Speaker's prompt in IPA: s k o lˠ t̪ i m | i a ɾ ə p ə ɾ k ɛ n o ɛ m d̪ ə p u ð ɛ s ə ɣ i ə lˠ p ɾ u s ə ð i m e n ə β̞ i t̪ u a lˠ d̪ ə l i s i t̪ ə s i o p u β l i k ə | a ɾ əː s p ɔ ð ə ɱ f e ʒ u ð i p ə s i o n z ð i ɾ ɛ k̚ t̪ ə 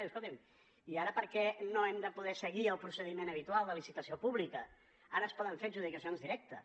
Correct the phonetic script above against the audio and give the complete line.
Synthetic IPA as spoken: s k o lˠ t̪ i m | i a ɾ ə p ə ɾ k ɛ n o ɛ m d̪ ə p u ð ɛ s ə ɣ i ə lˠ p ɾ u s ə ð i m e n ə β̞ i t̪ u a lˠ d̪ ə l i s i t̪ ə s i o p u β l i k ə | a ɾ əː s p ɔ ð ə ɱ f e ʒ u ð i k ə s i o n z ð i ɾ ɛ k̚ t̪ ə

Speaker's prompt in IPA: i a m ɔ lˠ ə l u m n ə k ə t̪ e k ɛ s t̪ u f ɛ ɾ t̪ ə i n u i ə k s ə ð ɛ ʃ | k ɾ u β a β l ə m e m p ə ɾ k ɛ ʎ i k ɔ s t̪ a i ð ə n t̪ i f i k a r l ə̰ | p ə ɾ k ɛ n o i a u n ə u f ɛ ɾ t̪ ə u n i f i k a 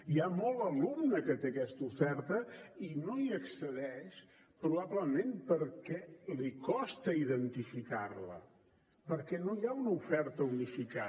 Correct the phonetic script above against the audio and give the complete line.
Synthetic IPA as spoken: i a m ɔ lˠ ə l u m n ə k ə t̪ e k ɛ s t̪ u f ɛ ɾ t̪ ə i n o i ə k s ə ð ɛ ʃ | p ɾ u β a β l ə m e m p ə ɾ k ɛ l i k ɔ s t̪ ə i ð ə n t̪ i f i k a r l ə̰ | p ə ɾ k ɛ n o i a u n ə u f ɛ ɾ t̪ ə u n i f i k a

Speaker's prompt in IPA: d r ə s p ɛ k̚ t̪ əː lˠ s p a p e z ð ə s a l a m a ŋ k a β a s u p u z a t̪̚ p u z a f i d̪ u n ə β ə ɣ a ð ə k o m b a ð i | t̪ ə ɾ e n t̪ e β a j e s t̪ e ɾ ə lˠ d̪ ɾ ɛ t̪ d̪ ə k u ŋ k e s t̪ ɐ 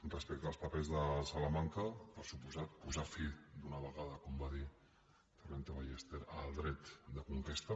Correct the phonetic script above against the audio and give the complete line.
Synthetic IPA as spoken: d r ə s p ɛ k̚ t̪ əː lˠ s p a p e z ð ə s a l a m a ŋ k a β a s u p u z a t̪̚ p u z a f i d̪ u n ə β ə ɣ a ð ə k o m b a ð i | t̪ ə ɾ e n t̪ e β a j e s t̪ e ɾ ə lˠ d̪ ɾ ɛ t̪ d̪ ə k u ŋ k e s t̪ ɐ

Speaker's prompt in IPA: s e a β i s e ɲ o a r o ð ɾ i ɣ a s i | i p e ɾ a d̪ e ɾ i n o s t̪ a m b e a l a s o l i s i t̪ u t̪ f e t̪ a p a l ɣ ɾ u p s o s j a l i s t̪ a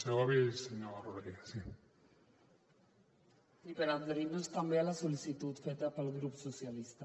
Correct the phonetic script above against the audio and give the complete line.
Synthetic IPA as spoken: s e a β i s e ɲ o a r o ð ɾ i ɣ a s i | i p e ɾ a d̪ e ɾ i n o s t̪ a m b e a l a s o l i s i t̪ u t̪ f e t̪ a p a l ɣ ɾ u p s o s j a l i s t̪ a

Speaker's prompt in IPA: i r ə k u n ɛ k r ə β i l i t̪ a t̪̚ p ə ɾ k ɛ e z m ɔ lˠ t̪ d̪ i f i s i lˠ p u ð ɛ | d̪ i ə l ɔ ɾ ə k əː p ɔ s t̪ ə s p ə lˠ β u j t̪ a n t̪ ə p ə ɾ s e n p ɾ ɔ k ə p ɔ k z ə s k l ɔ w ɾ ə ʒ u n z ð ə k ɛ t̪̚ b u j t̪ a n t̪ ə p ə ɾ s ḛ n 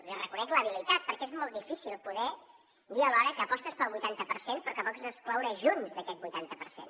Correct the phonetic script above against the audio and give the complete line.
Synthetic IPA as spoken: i r ə k u n ɛ k l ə β i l i t̪ a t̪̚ p ə ɾ k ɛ e z m ɔ lˠ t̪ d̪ i f i s i lˠ p u ð ɛ | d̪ i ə l ɔ ɾ ə k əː p ɔ s t̪ ə s p ə lˠ β u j t̪ a n t̪ ə p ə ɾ s e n p ɾ ɔ k ə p ɔ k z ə s k l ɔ w ɾ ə ʒ u n z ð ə k ɛ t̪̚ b u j t̪ a n t̪ ə p ə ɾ s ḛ n

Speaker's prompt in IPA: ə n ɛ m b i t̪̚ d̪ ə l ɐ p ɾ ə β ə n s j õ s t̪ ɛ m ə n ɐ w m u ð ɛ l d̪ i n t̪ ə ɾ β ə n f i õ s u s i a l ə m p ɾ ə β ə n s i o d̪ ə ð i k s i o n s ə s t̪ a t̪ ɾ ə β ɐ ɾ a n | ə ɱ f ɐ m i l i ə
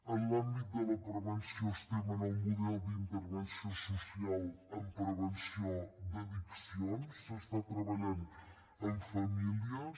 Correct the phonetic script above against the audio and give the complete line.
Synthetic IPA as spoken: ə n a m b i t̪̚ d̪ ə l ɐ p ɾ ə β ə n s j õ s t̪ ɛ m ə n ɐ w m u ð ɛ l d̪ i n t̪ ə ɾ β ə n s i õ s u s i a l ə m p ɾ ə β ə n s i o d̪ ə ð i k s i o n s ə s t̪ a t̪ ɾ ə β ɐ ʎ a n | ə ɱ f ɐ m i l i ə

